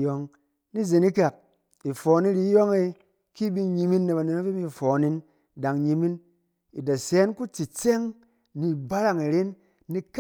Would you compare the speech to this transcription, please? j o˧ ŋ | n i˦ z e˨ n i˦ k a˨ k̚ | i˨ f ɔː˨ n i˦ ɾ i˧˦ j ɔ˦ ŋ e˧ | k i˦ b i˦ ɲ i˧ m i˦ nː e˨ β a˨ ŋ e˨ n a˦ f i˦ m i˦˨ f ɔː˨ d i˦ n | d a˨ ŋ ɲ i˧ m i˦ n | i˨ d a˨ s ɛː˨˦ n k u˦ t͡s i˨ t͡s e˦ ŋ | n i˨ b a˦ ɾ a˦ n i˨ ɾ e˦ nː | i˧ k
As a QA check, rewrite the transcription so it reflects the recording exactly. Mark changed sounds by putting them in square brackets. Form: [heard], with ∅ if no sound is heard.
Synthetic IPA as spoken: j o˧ ŋ | n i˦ z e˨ n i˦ k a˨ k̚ | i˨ f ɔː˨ n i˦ ɾ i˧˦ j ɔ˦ ŋ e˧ | k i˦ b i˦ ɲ i˧ m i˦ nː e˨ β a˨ [n] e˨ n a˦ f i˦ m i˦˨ f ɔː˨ [n] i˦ n | d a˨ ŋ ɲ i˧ m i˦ n | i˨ d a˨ s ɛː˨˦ n k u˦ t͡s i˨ t͡s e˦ ŋ | n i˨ b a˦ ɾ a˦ [ŋ] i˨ ɾ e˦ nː | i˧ k